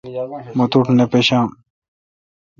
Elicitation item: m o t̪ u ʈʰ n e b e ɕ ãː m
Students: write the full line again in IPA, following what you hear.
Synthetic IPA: m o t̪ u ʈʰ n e p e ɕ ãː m